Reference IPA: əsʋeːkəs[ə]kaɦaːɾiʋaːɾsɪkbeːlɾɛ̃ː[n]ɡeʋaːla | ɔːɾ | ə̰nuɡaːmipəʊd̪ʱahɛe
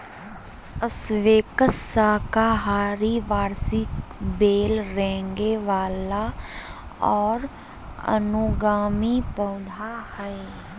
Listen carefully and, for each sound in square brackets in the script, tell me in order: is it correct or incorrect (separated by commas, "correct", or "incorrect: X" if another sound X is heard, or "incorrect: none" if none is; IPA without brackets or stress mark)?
incorrect: a, incorrect: ŋ